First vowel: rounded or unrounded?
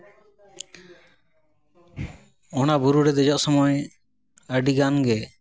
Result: rounded